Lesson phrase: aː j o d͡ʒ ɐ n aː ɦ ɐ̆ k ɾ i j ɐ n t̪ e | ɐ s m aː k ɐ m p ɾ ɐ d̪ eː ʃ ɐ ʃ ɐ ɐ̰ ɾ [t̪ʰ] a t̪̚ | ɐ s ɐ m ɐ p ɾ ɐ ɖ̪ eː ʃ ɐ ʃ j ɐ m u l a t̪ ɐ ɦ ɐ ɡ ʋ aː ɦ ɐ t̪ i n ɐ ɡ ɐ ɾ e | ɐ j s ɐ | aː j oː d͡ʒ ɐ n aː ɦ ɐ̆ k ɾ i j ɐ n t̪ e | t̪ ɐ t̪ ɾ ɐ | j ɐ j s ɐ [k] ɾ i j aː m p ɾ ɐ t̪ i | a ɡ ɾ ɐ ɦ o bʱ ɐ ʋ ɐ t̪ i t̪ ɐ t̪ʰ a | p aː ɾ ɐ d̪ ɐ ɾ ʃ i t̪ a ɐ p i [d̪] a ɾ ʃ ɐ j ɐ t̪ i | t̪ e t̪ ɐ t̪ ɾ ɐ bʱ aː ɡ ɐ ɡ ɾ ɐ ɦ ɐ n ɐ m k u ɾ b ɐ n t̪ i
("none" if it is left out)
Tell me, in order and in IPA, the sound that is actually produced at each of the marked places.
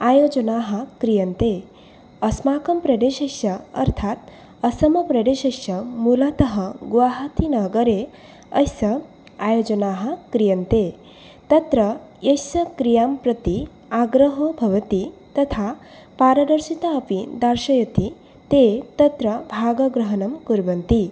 t̪ʰ, k, d̪

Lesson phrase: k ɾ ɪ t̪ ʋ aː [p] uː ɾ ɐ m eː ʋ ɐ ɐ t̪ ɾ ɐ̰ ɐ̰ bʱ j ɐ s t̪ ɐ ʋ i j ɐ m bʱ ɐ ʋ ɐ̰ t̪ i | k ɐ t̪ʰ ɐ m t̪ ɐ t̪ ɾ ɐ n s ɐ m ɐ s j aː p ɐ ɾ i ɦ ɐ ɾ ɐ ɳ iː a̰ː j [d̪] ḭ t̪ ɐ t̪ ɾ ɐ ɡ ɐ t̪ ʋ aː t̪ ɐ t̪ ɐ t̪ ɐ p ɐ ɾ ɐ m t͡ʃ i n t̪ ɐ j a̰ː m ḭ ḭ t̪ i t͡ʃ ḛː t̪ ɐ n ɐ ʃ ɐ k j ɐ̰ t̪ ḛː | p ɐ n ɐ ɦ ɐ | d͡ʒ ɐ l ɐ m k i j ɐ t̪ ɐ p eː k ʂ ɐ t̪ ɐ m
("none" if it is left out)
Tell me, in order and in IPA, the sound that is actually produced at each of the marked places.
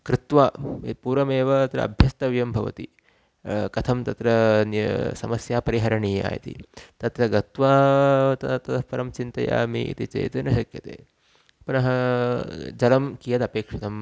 p, t̪

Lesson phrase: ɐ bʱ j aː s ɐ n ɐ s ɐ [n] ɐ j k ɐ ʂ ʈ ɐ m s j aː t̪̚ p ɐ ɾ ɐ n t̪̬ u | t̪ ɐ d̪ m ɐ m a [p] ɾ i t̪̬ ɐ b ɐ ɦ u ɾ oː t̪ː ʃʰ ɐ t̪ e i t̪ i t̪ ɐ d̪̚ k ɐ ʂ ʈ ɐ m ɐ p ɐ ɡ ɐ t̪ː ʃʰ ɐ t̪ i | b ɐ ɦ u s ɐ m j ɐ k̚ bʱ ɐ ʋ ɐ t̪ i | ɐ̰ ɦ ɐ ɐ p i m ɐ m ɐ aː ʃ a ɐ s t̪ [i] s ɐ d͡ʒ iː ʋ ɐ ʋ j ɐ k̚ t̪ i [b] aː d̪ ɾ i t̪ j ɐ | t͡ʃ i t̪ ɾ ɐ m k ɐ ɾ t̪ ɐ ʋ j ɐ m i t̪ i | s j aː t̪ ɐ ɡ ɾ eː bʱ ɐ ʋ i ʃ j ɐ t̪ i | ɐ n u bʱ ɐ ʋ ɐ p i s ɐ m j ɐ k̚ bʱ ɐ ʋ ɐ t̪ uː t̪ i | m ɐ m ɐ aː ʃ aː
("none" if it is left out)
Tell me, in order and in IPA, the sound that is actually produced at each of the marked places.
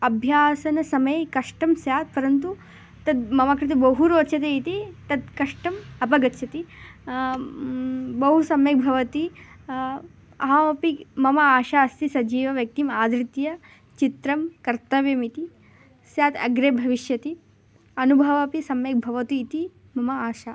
m, k, i, m

